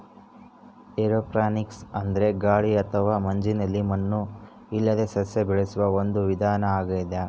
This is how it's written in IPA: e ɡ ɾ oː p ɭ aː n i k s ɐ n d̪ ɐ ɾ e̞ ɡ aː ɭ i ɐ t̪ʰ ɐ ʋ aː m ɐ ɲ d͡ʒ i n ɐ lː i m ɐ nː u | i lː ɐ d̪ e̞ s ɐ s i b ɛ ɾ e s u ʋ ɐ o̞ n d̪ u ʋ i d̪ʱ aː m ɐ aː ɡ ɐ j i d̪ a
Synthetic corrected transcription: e ɾ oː p ɾ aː n i k s ɐ n d̪ ɐ ɾ e̞ ɡ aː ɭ i ɐ t̪ʰ ɐ ʋ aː m ɐ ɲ d͡ʒ i n ɐ lː i m ɐ nː u | i lː ɐ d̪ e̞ s ɐ s e b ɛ ɭ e s u ʋ ɐ o̞ n d̪ u ʋ i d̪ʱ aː n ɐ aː ɡ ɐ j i d̪ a